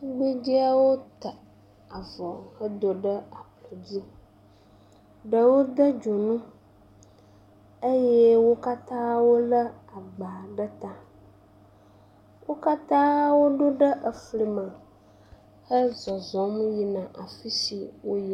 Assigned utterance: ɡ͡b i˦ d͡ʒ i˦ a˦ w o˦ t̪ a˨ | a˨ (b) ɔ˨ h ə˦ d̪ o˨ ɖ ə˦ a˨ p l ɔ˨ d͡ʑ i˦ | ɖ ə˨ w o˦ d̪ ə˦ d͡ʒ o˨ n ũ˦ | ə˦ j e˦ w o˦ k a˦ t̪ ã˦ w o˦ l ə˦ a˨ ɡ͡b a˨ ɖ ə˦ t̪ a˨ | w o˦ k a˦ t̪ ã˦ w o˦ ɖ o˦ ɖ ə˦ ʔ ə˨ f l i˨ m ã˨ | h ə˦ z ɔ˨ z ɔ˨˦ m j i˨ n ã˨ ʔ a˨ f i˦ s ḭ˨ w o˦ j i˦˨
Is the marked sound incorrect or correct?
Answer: incorrect